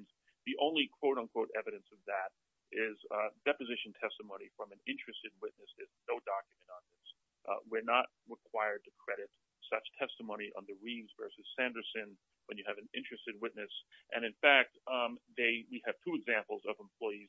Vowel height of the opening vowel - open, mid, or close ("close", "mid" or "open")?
close